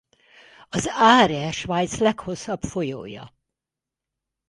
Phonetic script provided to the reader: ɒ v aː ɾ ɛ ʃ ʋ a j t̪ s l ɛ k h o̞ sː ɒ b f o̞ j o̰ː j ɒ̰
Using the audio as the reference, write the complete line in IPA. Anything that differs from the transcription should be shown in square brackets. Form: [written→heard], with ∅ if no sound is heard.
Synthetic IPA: ɒ [v→z] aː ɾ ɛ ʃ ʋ a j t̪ s l ɛ k h o̞ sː ɒ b f o̞ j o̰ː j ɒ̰